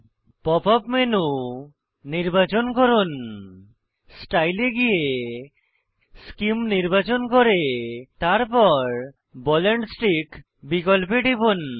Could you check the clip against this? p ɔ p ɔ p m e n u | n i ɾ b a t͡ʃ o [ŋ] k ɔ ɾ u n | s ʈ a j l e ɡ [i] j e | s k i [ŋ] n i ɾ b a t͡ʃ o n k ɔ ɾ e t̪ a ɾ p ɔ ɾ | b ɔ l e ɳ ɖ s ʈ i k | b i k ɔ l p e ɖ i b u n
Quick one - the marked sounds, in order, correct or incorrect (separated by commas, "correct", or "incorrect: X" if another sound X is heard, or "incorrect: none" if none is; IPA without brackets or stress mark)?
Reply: incorrect: n, correct, incorrect: m